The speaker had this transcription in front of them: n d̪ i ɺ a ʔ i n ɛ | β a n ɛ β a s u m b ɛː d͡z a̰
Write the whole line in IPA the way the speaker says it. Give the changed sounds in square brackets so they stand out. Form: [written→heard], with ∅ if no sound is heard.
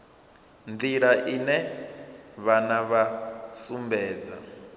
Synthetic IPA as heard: n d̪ i ɺ a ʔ i n ɛ | β a n [ɛ→a] β a s u m b ɛː d͡z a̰